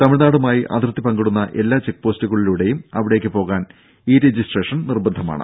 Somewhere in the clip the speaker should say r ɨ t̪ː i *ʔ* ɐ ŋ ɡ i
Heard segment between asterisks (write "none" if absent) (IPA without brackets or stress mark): p